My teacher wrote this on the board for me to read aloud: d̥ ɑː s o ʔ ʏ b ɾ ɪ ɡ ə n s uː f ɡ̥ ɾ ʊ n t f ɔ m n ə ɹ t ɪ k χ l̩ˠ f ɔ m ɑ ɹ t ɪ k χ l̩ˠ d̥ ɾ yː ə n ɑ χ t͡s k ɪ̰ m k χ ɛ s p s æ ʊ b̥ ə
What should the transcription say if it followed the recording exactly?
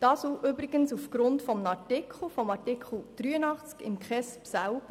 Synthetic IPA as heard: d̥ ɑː s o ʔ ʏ b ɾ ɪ ɡ ə n s u f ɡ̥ ɾ ʊ n t f ɔ m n ɑ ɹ t ɪ k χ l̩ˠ f ɔ m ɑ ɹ t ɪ k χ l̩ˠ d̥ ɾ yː ə n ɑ χ t͡s k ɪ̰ m k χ ɛ s p s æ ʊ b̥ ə